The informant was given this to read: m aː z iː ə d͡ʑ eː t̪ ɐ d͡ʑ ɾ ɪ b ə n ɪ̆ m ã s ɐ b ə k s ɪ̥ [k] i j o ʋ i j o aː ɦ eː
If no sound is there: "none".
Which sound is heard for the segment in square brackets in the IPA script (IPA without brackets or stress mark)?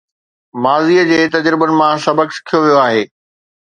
kʰ